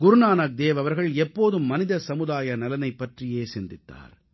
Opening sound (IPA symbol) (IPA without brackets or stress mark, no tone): ɡ